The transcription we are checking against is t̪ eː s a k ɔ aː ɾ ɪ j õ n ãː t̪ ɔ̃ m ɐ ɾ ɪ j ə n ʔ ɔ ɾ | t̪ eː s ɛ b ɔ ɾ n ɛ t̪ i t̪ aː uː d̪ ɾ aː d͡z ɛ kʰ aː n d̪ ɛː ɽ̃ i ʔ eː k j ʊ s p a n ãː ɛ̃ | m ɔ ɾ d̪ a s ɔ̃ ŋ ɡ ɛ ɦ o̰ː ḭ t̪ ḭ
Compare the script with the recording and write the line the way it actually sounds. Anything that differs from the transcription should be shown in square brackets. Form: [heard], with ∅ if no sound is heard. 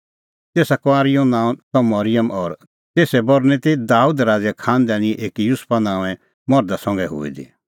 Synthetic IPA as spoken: t̪ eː s a k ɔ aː ɾ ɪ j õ n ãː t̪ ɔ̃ m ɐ ɾ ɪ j ə [m] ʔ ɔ ɾ | t̪ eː s ɛ b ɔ ɾ n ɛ t̪ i [d̪] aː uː d̪ ɾ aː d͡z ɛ kʰ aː n d̪ ɛː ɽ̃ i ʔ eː k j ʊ s p a n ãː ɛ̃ | m ɔ ɾ d̪ a s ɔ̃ ŋ ɡ ɛ ɦ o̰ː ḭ [d̪] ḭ